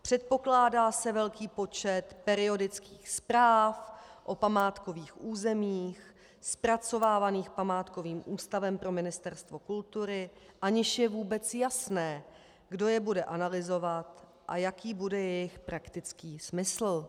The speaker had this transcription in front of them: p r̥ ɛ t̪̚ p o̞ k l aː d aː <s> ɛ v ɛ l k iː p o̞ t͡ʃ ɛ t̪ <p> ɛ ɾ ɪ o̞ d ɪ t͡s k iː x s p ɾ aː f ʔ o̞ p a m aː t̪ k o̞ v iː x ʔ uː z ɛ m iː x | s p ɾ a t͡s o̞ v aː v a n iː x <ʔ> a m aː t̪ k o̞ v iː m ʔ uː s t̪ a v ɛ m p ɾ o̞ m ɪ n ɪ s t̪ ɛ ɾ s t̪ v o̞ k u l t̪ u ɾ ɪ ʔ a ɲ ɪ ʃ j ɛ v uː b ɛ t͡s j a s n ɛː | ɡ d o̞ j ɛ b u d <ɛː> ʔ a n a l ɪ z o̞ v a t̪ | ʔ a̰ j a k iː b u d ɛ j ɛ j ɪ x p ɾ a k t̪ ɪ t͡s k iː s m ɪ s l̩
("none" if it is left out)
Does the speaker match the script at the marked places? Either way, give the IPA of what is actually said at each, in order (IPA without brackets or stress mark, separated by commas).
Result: s, p, p, ɛ